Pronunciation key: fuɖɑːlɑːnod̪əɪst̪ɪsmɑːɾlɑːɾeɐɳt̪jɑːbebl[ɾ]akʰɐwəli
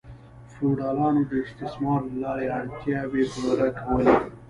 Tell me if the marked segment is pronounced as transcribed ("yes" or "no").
yes